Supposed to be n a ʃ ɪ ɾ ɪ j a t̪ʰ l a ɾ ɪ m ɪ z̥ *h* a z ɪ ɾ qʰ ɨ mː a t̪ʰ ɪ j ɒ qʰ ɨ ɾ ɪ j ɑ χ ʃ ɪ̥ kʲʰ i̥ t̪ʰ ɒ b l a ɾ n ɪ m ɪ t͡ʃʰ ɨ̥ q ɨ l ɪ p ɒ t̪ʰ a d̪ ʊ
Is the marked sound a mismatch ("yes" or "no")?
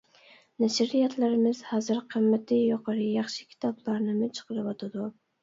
no